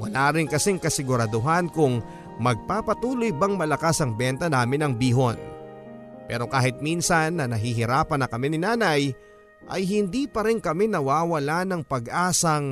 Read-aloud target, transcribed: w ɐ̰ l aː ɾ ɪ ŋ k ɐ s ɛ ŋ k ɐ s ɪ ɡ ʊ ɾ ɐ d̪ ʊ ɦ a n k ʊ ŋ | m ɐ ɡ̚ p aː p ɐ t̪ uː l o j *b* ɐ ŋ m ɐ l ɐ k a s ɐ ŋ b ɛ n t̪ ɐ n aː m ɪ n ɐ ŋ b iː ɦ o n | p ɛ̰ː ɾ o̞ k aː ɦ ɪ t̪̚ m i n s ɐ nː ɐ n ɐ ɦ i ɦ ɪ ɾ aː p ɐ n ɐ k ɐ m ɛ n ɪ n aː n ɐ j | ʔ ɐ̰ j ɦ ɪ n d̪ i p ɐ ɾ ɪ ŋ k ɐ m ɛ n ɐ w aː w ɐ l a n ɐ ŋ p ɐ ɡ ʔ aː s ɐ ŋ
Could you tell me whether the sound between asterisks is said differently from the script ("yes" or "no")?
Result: no